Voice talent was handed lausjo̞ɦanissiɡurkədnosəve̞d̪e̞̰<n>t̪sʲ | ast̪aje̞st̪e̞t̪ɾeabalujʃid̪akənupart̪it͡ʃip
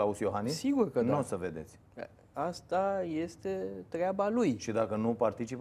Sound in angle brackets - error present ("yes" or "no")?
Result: yes